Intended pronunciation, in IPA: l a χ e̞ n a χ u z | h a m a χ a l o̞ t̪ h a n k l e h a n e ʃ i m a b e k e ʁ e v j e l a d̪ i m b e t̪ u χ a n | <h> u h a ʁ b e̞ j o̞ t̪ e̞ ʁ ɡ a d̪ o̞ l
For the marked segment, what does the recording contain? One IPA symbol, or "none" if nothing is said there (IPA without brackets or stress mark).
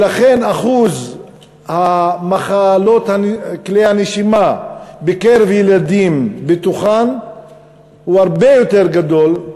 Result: h